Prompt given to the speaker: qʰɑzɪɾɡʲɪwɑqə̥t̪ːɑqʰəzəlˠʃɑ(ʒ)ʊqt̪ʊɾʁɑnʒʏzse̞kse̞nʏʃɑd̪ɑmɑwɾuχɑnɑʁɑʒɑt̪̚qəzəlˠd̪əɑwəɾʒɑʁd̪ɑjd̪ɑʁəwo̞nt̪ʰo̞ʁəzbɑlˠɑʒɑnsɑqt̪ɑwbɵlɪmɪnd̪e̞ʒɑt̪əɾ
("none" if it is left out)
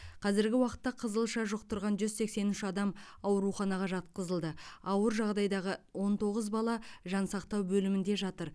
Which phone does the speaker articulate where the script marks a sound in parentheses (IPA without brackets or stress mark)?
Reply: ʒ